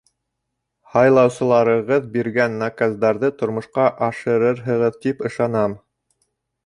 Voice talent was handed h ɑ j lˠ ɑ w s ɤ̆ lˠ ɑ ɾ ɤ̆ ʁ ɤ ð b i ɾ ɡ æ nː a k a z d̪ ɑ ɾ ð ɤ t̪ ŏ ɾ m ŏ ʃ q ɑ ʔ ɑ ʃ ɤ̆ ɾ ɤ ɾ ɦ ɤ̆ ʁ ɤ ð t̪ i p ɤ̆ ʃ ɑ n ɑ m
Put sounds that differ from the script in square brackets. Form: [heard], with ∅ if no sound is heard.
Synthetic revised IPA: h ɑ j lˠ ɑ w s ɤ̆ lˠ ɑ ɾ ɤ̆ ʁ ɤ ð b i ɾ ɡ æ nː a k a z d̪ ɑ ɾ ð ɤ t̪ ŏ ɾ m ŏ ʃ q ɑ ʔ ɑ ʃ ɤ̆ ɾ ɤ ɾ ɦ ɤ̆ ʁ ɤ ð t̪ i p ɤ̆ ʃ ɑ n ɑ m